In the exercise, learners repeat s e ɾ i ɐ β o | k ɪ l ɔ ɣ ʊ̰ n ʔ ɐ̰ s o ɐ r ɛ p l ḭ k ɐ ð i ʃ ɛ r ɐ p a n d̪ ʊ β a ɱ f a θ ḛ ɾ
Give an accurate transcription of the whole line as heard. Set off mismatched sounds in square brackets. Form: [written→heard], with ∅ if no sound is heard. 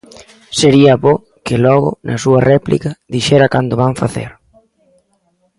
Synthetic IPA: s e ɾ i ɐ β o | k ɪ l ɔ ɣ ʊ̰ n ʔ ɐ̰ s [o→u] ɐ r ɛ p l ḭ k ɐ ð i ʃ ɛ [r→ɾ] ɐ [p→k] a n d̪ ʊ β a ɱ f a θ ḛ ɾ